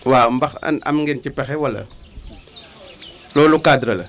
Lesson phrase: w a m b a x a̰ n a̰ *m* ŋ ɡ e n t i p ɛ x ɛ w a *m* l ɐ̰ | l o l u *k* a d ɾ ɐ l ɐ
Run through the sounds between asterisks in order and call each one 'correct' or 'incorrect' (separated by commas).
correct, incorrect, correct